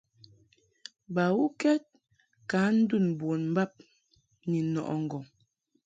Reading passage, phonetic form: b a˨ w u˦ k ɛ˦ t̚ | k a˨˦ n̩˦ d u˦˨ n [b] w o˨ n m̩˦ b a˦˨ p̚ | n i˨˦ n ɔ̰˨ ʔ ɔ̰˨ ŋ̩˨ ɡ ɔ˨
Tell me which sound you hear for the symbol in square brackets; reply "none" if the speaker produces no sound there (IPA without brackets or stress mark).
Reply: b